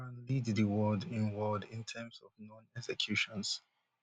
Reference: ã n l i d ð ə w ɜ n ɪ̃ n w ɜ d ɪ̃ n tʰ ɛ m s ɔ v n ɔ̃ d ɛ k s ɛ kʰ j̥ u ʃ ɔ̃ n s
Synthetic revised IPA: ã n l i d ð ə w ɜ d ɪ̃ n w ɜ d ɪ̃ n tʰ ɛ m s ɔ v n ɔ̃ n ɛ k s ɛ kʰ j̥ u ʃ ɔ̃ n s